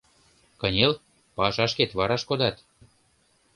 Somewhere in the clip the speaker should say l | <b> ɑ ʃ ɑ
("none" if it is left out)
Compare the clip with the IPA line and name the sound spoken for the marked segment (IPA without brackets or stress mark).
p